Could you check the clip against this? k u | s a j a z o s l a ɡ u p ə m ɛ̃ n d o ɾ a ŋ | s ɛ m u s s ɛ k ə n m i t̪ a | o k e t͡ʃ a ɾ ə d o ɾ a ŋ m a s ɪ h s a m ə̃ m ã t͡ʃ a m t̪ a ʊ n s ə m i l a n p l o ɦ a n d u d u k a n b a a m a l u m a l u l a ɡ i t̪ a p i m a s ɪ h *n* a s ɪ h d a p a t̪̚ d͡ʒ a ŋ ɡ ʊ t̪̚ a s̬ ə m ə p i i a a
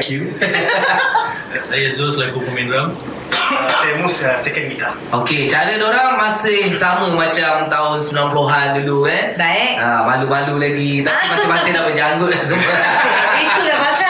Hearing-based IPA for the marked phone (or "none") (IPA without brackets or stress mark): m